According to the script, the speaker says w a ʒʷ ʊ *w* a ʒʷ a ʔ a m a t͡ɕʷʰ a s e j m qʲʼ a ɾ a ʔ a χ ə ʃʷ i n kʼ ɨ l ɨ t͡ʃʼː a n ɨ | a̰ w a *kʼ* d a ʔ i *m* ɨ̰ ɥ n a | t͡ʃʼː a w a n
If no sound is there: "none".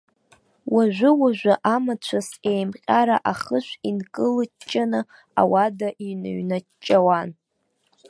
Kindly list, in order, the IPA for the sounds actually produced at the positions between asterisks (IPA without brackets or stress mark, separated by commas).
w, none, n